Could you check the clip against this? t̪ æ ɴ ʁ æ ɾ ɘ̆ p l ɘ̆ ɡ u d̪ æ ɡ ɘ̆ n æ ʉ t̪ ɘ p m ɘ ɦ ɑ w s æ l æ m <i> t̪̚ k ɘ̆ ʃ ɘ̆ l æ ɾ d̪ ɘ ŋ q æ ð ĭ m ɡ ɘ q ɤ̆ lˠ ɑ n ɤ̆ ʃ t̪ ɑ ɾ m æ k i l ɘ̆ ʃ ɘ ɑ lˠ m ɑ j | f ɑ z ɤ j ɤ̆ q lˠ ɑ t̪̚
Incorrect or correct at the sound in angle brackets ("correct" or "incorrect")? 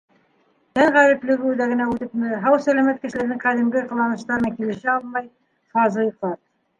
incorrect